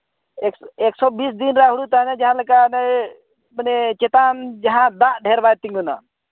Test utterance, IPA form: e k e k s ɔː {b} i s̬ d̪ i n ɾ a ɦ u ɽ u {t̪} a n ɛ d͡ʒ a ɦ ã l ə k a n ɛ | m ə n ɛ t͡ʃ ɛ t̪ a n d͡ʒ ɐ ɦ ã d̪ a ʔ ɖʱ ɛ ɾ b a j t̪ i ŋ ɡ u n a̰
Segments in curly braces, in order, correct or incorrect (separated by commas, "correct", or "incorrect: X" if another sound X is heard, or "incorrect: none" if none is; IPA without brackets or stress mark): correct, correct